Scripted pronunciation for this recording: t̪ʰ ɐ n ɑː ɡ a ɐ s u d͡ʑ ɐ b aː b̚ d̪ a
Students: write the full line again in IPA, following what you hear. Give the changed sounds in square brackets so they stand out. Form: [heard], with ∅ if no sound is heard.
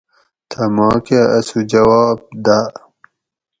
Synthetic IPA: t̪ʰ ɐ [m] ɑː [k] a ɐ s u d͡ʑ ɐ [w] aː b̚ d̪ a